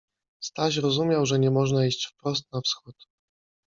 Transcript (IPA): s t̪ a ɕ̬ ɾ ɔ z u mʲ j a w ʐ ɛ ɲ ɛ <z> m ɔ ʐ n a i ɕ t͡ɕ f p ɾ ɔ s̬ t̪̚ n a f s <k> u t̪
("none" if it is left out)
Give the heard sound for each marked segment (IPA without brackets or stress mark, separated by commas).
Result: none, x